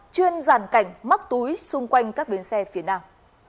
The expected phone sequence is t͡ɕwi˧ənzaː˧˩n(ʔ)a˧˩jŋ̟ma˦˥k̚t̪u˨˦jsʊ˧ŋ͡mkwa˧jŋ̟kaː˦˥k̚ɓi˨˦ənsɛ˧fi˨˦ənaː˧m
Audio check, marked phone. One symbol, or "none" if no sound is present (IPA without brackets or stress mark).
k